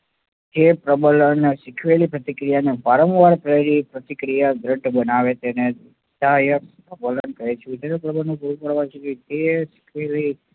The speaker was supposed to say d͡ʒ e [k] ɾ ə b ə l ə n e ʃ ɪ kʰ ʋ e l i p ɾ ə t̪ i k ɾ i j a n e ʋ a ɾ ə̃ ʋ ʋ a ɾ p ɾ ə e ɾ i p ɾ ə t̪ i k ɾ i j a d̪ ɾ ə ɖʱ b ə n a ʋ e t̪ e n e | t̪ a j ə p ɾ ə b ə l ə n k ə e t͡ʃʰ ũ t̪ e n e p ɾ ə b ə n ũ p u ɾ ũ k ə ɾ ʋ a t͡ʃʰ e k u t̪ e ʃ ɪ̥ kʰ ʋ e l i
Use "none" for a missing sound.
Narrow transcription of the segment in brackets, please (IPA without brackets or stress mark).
p